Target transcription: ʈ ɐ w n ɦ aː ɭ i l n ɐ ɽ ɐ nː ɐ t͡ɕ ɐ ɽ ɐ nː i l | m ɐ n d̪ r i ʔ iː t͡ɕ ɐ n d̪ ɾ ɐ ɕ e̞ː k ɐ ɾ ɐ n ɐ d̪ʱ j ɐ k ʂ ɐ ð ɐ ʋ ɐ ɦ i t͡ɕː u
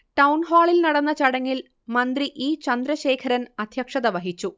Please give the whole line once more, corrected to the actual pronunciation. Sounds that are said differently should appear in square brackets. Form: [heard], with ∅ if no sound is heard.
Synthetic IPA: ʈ ɐ w n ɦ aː ɭ i l n ɐ ɽ ɐ nː ɐ t͡ɕ ɐ ɽ ɐ [ŋː] i l | m ɐ n d̪ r i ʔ iː t͡ɕ ɐ n d̪ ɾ ɐ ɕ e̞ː [kʰ] ɐ ɾ ɐ n ɐ d̪ʱ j ɐ k ʂ ɐ ð ɐ ʋ ɐ ɦ i t͡ɕː u